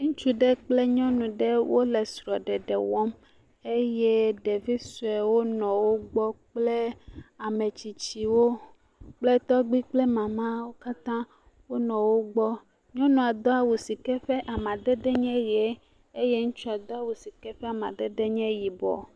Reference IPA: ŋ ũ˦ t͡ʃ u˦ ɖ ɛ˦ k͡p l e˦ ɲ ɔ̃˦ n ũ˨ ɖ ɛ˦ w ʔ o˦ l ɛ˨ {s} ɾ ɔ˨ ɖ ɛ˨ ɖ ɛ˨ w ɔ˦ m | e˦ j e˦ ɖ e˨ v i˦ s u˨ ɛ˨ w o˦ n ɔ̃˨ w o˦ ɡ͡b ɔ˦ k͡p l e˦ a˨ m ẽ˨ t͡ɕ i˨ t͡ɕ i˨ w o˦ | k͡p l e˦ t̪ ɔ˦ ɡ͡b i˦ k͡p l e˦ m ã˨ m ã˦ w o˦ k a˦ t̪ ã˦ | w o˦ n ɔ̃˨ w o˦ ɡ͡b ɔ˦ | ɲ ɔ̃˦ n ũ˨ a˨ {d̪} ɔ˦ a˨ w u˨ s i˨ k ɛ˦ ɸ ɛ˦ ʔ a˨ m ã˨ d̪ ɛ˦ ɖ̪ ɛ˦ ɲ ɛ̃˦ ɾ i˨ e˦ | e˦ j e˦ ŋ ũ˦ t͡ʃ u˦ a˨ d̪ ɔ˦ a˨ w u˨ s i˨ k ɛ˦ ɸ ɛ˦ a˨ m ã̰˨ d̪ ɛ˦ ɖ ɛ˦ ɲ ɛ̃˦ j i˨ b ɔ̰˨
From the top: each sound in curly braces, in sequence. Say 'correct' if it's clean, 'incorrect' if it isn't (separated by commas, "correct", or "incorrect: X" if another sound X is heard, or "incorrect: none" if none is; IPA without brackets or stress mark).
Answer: correct, correct